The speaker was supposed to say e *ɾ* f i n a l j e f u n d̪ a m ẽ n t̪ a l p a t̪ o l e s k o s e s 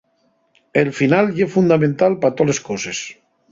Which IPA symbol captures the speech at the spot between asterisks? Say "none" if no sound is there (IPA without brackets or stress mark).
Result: l